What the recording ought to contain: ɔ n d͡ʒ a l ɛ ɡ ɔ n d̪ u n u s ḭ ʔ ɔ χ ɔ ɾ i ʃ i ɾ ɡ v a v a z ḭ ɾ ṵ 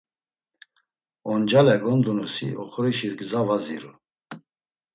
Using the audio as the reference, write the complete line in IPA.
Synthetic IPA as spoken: ɔ n d͡ʒ a l ɛ ɡ ɔ n d̪ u n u s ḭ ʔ ɔ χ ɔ ɾ i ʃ i ɾ ɡ z a v a z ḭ ɾ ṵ